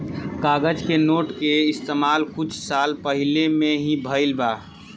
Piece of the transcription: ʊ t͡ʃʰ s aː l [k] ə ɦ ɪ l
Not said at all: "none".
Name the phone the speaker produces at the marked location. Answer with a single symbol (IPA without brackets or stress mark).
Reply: p